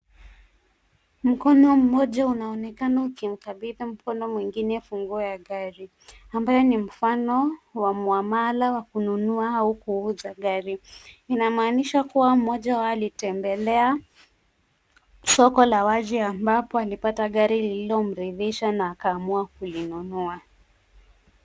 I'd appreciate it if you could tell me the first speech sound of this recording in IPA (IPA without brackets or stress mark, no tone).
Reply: m̩